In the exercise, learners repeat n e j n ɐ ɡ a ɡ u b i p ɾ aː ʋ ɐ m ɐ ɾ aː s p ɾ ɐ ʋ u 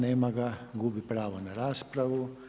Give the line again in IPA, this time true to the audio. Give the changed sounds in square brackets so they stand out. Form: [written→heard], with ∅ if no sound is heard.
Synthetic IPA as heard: n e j [n→m] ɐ ɡ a ɡ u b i p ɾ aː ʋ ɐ [m→n] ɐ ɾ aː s p ɾ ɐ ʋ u